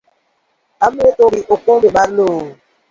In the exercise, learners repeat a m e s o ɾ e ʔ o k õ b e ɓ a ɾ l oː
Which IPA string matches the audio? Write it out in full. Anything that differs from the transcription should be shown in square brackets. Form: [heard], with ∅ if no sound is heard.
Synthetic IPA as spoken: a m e [t] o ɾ [i] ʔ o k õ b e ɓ a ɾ l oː